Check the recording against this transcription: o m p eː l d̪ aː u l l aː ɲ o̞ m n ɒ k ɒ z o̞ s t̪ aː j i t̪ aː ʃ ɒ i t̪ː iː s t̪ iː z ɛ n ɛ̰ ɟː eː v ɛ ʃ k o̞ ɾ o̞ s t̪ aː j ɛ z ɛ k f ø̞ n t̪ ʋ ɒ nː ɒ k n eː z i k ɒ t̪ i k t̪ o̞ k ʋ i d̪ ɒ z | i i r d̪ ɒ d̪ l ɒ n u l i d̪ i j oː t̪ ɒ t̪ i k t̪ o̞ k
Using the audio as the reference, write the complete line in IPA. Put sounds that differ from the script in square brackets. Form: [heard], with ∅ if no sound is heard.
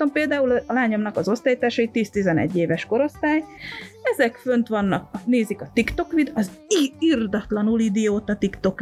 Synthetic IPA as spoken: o m p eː l d̪ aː u l l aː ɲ o̞ m n ɒ k ɒ z o̞ s t̪ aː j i t̪ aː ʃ ɒ i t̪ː iː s t̪ [i] z ɛ n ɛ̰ ɟː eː v ɛ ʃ k o̞ ɾ o̞ s t̪ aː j ɛ z ɛ k f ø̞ n t̪ ʋ ɒ nː ɒ k n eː z i k ɒ t̪ i k t̪ o̞ k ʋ i d̪ ɒ z | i i r d̪ ɒ [t̪] l ɒ n u l i d̪ i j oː t̪ ɒ t̪ i k t̪ o̞ k